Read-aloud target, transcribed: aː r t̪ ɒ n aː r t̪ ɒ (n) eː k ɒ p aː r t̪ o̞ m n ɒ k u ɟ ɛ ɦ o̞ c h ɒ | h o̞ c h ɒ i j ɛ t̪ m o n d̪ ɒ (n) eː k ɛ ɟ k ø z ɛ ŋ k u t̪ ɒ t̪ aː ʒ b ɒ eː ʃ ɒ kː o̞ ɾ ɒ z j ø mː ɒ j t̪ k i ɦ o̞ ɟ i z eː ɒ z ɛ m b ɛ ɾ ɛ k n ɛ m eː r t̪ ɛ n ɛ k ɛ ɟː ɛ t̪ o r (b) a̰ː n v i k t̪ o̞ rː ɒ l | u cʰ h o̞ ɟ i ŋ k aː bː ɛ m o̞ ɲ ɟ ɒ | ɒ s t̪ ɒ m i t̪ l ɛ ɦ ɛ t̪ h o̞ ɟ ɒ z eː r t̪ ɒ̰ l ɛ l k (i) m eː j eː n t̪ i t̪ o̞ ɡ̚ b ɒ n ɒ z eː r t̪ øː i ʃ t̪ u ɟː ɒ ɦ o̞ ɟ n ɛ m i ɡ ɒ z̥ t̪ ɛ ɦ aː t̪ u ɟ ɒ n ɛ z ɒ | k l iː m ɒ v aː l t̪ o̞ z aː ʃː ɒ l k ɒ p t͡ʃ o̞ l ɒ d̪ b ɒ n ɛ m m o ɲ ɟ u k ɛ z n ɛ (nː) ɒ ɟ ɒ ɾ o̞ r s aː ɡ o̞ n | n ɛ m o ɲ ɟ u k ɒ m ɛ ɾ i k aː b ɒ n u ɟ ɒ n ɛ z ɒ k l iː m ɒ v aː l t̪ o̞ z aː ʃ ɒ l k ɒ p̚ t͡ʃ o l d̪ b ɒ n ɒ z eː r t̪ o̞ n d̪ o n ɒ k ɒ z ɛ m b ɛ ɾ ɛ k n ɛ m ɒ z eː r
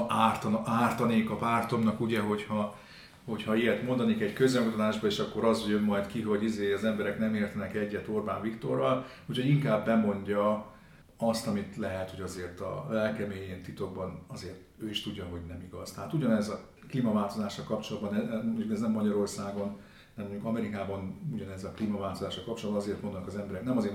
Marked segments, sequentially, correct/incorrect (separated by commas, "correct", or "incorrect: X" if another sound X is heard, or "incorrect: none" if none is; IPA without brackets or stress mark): correct, correct, correct, incorrect: ɛ, incorrect: mː